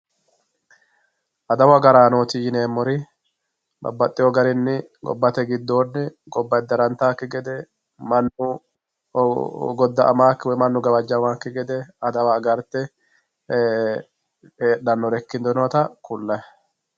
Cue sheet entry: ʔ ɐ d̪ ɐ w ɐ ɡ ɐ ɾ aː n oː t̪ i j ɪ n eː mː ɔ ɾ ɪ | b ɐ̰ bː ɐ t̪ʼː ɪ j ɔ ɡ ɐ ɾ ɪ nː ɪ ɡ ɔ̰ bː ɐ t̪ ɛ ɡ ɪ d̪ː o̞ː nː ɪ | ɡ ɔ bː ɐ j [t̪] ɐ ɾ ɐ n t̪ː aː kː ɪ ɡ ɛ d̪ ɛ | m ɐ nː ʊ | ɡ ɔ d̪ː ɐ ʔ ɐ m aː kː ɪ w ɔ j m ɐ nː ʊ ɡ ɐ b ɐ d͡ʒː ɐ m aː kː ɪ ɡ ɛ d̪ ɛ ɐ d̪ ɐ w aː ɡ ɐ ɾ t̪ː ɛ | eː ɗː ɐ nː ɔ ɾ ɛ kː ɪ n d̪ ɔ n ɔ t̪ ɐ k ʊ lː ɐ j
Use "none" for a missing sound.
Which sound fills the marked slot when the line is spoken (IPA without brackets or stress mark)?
d̪